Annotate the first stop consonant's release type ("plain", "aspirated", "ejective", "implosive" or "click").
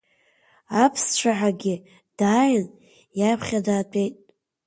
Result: aspirated